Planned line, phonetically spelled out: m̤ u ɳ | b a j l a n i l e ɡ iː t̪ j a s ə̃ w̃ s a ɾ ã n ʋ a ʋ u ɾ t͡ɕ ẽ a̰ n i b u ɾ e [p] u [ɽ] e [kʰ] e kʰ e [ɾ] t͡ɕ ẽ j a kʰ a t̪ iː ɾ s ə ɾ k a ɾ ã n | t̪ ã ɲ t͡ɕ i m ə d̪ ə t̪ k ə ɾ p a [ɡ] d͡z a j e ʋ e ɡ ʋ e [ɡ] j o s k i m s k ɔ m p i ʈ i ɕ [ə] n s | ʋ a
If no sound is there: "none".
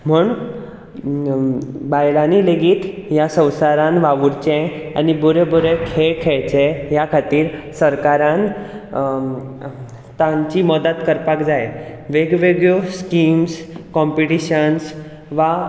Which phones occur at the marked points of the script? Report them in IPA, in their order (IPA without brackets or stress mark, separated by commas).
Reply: b, ɾ, kʰ, ɭ, k, ɡ, ə